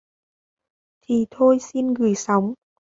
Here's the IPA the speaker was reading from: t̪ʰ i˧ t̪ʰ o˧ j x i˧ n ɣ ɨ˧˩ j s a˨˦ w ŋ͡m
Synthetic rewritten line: t̪ʰ i˨˩ t̪ʰ o˧ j s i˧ n ɣ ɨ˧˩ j s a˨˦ w ŋ͡m